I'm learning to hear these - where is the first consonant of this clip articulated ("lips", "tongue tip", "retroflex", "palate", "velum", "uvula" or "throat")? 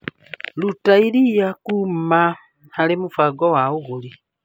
tongue tip